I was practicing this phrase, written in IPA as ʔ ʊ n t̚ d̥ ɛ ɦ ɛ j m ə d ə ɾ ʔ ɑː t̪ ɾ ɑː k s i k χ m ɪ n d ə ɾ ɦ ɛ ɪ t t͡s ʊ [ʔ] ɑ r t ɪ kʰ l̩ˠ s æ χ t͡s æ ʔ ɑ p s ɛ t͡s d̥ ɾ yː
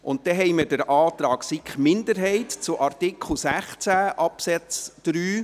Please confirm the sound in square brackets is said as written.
yes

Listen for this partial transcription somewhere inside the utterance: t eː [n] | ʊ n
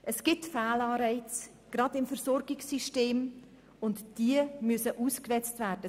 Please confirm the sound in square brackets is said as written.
no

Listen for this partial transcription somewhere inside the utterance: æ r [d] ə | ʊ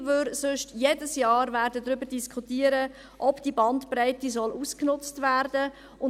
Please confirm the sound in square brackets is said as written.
yes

